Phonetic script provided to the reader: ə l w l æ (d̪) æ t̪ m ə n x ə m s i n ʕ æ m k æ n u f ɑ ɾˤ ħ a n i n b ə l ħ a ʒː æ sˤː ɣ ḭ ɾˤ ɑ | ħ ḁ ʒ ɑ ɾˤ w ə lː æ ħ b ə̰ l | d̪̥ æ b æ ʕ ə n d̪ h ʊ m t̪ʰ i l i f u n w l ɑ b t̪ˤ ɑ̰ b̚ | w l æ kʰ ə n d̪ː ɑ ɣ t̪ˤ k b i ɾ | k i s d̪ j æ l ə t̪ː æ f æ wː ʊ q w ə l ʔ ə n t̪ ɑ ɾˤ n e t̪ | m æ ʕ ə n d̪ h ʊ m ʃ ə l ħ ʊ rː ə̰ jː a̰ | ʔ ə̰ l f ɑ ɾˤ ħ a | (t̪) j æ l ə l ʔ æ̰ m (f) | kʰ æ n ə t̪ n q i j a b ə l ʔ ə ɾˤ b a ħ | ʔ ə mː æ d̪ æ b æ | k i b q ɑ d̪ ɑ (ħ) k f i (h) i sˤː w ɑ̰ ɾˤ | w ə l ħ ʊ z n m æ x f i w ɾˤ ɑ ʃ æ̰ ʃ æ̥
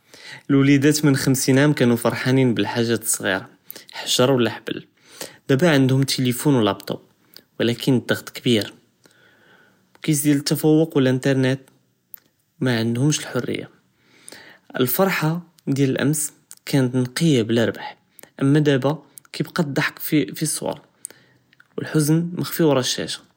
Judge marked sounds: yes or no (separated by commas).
yes, no, no, yes, no